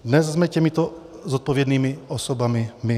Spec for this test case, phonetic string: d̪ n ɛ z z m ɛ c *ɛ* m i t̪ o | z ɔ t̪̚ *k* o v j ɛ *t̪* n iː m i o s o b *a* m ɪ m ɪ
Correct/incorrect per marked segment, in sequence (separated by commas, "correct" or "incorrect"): correct, incorrect, incorrect, correct